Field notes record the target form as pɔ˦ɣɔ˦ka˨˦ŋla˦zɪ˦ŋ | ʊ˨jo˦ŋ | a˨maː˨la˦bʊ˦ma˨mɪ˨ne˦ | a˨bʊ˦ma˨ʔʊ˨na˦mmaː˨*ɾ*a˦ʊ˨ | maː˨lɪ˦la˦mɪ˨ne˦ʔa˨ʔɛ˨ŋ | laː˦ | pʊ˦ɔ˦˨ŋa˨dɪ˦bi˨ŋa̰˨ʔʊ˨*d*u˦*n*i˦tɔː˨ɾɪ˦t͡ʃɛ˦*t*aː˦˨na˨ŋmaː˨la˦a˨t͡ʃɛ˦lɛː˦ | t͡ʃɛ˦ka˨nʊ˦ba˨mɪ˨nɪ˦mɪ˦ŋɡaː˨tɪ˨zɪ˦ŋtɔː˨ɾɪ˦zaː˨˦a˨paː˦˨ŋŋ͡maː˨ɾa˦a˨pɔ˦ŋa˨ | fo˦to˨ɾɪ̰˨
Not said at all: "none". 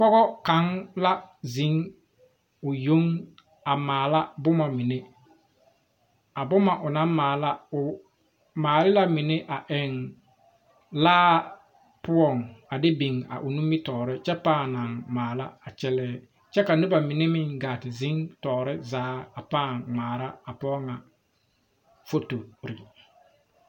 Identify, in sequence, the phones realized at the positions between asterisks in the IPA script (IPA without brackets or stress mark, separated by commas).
l, n, m, p